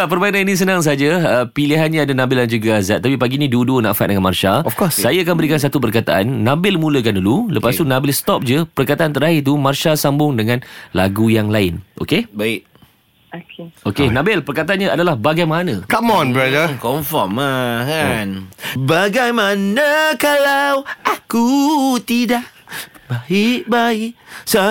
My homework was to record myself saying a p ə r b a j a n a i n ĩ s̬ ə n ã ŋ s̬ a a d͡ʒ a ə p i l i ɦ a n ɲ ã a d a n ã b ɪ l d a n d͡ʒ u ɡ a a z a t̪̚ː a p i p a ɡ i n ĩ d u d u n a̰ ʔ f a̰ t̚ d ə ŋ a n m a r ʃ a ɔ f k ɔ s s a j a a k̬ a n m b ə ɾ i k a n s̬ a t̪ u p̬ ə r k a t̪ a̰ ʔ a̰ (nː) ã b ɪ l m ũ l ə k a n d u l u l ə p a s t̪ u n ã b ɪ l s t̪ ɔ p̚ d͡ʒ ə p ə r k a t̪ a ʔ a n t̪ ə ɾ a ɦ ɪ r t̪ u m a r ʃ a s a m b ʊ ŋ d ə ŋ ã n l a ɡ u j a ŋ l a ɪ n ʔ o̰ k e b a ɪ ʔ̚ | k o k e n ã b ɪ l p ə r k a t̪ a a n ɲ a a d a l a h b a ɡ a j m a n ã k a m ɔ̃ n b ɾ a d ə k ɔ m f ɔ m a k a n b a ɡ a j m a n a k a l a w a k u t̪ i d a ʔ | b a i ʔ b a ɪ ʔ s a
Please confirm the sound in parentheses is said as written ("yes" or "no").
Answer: yes